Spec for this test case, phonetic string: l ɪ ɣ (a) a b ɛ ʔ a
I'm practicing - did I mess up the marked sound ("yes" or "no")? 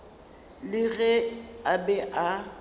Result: yes